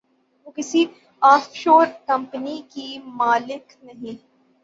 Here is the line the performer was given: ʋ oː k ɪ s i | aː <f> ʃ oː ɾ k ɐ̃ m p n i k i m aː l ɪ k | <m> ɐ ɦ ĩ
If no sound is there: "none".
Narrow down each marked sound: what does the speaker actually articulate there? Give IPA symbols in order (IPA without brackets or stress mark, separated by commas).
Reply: f, n